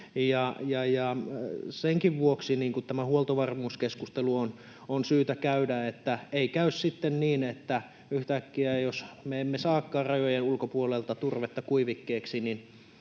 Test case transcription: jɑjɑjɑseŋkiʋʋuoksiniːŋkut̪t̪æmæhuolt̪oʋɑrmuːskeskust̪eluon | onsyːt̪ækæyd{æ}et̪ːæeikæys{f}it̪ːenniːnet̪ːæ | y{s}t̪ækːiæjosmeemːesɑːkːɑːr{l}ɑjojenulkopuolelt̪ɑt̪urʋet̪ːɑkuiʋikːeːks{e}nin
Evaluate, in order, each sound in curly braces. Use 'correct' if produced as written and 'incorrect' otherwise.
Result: correct, incorrect, incorrect, incorrect, incorrect

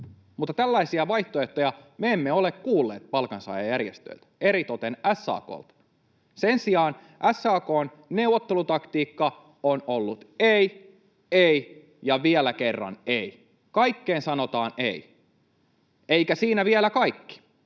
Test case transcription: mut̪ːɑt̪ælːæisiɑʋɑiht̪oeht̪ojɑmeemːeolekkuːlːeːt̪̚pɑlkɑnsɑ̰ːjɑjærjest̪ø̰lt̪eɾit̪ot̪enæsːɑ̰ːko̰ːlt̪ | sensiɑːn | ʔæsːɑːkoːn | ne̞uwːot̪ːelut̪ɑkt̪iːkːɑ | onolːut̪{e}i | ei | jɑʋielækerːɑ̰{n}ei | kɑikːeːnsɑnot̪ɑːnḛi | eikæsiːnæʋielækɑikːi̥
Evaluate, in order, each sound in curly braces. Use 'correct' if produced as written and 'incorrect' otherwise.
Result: correct, correct

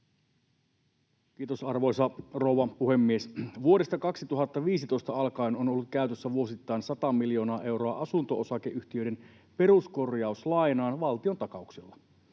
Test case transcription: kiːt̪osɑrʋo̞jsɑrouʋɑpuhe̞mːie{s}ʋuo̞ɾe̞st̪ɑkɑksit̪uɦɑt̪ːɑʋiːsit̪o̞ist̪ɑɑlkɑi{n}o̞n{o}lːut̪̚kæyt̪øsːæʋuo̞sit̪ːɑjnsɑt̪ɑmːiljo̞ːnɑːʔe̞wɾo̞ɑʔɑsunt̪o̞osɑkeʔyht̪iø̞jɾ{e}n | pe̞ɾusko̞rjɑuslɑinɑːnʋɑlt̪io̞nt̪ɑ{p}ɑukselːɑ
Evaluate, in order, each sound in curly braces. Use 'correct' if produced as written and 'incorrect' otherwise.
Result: correct, correct, correct, correct, incorrect

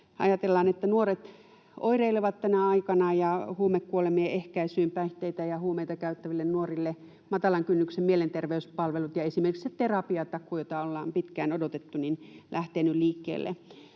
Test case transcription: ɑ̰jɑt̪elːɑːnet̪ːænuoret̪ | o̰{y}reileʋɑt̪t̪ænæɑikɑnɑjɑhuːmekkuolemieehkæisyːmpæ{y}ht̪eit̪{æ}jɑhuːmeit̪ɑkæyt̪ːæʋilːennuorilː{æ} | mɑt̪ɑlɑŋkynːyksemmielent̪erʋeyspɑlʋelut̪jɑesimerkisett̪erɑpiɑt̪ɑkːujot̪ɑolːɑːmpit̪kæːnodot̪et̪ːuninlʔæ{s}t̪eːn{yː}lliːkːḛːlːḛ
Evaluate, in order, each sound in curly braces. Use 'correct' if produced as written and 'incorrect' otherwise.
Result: incorrect, incorrect, correct, incorrect, incorrect, incorrect

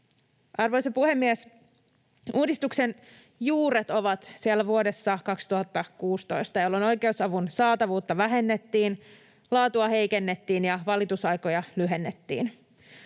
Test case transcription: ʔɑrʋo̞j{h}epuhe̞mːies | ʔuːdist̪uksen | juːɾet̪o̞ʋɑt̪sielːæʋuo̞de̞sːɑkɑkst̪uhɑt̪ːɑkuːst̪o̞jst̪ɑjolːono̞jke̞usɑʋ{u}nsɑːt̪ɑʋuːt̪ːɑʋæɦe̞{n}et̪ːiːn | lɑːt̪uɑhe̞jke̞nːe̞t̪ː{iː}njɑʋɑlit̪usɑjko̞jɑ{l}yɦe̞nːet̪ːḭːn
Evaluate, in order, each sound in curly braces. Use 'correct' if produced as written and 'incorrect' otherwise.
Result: incorrect, correct, incorrect, correct, correct

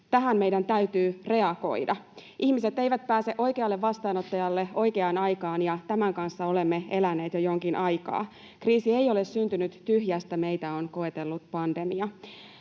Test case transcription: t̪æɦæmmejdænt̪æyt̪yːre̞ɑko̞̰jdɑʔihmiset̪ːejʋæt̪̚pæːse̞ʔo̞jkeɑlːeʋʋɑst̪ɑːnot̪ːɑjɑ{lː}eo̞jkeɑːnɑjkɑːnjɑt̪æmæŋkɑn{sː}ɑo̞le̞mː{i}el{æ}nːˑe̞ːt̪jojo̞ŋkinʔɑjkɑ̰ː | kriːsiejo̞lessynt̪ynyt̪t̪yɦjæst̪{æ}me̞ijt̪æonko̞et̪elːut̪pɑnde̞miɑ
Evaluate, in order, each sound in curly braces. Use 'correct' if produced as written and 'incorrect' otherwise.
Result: correct, correct, incorrect, correct, correct

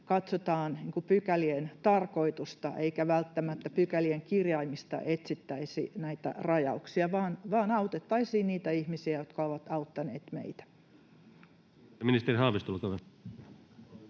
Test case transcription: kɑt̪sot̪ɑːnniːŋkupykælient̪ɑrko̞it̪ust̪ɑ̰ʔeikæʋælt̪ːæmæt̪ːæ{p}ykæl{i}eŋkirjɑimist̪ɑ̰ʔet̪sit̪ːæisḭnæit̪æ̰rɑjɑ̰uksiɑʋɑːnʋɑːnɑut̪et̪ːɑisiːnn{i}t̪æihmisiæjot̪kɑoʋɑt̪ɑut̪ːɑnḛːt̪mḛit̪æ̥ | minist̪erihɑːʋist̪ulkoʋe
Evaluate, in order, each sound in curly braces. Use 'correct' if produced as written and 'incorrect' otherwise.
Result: correct, correct, incorrect

